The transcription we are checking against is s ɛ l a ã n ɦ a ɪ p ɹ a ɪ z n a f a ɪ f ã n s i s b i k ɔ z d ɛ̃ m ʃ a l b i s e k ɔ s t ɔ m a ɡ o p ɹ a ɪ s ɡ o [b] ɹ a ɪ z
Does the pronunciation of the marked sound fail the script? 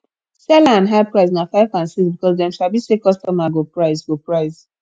yes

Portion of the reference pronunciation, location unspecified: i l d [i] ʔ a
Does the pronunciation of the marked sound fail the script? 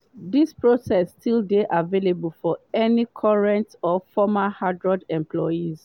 yes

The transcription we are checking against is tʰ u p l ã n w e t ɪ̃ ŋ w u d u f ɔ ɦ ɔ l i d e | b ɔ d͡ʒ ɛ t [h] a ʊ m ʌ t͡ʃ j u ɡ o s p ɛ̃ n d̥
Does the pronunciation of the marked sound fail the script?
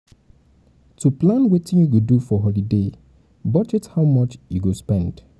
no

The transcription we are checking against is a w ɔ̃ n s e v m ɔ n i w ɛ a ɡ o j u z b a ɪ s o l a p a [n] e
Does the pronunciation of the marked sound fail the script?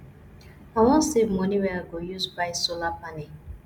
no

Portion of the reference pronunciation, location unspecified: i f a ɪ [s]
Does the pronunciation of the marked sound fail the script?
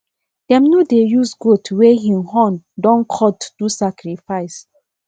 no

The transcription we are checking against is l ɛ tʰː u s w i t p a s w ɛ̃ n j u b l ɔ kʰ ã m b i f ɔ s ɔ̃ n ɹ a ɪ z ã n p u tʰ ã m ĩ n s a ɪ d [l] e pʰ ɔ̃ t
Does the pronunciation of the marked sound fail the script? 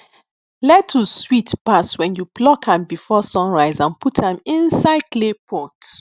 no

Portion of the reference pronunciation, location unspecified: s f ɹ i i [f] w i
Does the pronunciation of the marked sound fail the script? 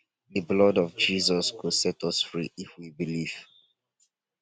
no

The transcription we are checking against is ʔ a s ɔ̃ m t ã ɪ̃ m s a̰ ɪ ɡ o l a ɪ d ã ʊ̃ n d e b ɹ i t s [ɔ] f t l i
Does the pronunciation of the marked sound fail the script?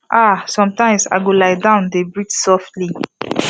no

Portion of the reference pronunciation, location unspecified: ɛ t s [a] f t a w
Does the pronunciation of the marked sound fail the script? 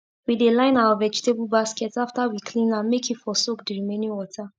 no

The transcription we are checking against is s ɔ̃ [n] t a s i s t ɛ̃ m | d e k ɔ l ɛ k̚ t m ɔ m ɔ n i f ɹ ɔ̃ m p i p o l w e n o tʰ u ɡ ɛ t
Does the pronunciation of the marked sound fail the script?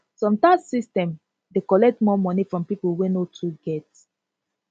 yes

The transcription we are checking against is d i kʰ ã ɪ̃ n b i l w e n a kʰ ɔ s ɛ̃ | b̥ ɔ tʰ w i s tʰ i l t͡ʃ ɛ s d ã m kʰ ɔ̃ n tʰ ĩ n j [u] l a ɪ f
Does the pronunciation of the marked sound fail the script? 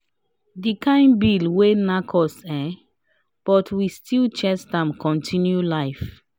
no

